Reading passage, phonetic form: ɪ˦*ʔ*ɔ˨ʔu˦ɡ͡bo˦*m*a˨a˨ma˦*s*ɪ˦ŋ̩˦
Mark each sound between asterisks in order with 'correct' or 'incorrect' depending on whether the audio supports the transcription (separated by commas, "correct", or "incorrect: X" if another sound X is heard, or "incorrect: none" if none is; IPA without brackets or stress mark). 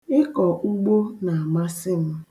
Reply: incorrect: k, incorrect: n, correct